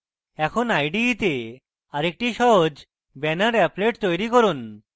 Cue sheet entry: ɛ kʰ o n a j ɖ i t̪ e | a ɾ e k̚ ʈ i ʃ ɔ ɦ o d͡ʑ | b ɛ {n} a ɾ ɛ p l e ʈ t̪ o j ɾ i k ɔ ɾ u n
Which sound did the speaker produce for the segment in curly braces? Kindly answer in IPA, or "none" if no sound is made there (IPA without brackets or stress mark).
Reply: n